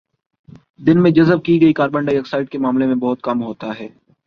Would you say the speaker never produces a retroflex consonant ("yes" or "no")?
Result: no